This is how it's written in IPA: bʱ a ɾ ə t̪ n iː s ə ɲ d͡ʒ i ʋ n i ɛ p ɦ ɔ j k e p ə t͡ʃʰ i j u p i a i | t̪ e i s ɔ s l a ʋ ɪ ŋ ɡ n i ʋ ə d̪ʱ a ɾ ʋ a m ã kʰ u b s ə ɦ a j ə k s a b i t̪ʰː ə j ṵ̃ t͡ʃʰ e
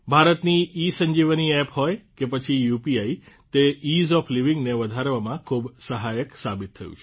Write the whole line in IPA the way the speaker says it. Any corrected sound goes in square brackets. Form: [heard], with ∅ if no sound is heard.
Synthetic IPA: bʱ a ɾ ə t̪ n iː s ə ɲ d͡ʒ i ʋ n i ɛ p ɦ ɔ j k e p ə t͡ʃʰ i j u p i a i | t̪ e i [z] ɔ [f] l [i] ʋ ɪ ŋ ɡ n [e] ʋ ə d̪ʱ a ɾ ʋ a m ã kʰ u b s ə ɦ a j ə k s a b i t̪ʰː ə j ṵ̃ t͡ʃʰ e